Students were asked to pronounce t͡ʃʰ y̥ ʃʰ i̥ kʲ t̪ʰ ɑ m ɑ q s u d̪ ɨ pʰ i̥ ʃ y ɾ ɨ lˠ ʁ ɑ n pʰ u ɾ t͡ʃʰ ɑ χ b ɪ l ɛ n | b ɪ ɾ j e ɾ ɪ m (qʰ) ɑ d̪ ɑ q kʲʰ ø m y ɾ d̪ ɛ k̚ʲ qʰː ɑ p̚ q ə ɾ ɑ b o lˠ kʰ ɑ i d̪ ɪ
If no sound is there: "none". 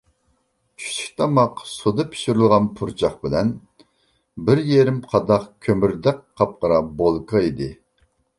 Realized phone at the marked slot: qʰ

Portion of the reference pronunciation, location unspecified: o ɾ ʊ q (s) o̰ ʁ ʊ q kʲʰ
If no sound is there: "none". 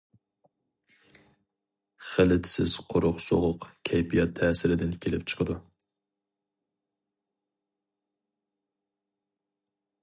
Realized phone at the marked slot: s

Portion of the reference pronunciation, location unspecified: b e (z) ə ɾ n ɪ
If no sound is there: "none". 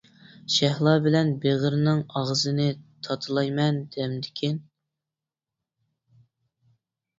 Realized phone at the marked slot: ʁ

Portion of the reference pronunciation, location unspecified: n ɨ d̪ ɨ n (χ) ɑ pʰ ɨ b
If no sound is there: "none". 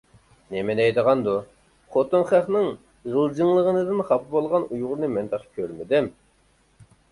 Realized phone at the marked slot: χ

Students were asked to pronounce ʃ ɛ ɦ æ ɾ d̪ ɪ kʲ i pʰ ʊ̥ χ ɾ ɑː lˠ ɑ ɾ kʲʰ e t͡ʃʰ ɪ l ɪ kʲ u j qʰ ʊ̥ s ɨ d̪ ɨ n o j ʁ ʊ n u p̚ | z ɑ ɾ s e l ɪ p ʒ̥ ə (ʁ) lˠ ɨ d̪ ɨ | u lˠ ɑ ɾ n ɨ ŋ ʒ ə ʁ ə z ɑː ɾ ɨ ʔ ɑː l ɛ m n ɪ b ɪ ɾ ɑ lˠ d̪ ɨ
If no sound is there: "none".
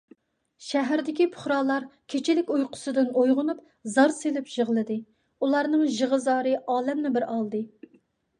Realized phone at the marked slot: ʁ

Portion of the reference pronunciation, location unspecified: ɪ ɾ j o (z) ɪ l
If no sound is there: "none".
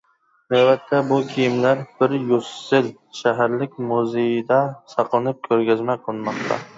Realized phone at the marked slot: s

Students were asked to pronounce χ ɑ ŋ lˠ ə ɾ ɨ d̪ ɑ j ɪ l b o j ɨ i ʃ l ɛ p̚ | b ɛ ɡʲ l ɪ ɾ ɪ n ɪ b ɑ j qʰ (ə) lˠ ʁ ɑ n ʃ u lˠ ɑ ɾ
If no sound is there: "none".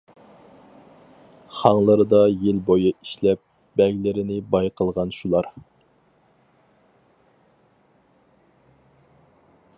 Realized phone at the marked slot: ə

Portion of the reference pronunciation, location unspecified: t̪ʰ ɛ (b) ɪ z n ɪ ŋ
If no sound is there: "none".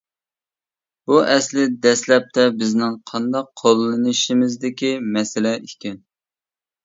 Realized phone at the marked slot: b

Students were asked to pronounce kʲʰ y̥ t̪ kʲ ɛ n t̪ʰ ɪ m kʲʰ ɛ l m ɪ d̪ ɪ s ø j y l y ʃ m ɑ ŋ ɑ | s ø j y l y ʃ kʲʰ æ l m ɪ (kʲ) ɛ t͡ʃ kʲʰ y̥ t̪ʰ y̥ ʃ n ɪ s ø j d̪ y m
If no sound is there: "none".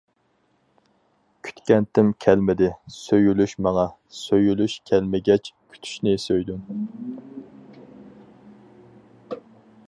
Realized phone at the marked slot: ɡʲ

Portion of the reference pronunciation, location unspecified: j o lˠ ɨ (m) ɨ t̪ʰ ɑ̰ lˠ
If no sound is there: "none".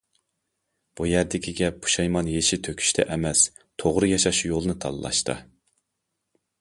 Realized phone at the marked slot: n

